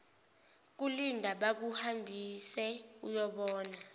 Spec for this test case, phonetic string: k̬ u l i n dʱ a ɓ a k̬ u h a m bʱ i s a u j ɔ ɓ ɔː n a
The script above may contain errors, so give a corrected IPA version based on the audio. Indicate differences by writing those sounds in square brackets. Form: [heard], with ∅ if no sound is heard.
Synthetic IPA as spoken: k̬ u l i n dʱ a ɓ a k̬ u h a m bʱ i s [ɛ] u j ɔ ɓ ɔː n a